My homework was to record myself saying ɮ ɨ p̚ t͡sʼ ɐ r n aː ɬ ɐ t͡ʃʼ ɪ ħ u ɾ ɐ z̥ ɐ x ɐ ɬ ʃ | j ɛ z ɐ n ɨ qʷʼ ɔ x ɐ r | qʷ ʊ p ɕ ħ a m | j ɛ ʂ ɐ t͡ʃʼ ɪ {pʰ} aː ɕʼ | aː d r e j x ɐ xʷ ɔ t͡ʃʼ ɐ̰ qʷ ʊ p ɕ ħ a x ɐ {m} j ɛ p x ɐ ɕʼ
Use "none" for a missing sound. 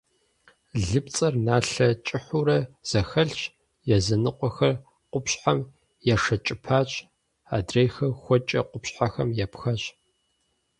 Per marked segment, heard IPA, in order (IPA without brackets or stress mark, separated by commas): pʰ, m